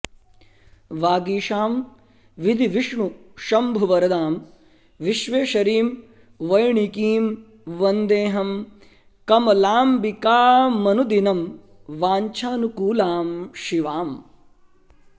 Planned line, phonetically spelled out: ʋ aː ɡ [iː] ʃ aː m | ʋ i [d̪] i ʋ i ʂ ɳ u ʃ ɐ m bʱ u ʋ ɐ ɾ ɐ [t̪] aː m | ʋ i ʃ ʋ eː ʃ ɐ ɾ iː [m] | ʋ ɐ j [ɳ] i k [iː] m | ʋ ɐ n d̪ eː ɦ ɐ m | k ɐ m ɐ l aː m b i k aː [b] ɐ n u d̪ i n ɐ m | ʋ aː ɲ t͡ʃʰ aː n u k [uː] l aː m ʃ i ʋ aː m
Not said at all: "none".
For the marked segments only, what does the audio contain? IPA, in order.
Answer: iː, d̪, d̪, m, ɳ, iː, m, uː

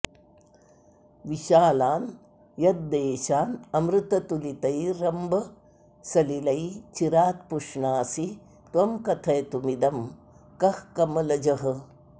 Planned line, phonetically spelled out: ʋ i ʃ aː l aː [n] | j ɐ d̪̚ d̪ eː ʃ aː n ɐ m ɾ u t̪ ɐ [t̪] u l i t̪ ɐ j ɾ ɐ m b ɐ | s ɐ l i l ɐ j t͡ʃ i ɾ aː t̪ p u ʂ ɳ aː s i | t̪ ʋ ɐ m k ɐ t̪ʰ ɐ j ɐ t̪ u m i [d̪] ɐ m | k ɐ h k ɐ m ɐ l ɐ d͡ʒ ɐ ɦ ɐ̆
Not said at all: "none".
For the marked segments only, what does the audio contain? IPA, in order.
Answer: n, t̪, d̪

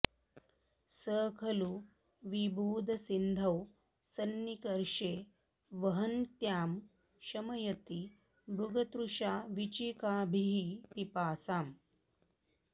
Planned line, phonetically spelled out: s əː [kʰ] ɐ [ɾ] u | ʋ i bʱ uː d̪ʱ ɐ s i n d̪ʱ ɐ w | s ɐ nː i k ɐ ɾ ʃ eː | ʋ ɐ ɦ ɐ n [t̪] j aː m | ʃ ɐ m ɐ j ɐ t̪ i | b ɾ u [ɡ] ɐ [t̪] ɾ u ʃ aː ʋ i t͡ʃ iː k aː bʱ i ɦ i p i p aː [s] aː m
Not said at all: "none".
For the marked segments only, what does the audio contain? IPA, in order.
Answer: kʰ, l, t̪, ɡ, t̪, s

